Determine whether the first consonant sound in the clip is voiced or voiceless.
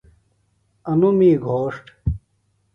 voiced